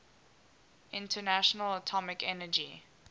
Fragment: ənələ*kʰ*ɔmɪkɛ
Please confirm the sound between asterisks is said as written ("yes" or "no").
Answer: no